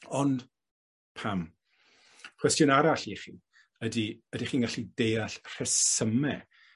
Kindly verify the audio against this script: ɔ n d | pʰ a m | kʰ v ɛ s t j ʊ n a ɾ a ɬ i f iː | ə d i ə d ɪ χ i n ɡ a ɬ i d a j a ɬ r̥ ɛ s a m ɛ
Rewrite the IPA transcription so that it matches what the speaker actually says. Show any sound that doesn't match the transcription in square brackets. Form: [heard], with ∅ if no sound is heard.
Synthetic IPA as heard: ɔ n d | pʰ a m | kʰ [w] ɛ s t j ʊ n a ɾ a ɬ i [χ] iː | ə d i ə d [i] χ [iː] n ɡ a ɬ i d [e] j a ɬ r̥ ɛ s [ə] m ɛ